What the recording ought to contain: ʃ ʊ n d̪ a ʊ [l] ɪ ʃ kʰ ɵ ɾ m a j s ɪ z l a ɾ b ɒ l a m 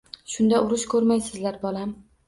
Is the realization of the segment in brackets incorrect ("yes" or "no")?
yes